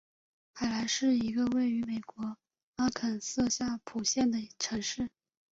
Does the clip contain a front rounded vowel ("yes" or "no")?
yes